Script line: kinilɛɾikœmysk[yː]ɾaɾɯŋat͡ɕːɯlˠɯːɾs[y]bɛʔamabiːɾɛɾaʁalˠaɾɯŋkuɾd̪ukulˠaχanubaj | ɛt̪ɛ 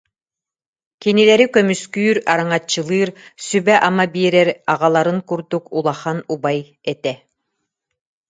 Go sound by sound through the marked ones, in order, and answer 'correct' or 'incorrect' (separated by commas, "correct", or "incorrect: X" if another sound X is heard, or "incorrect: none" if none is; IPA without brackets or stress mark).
correct, correct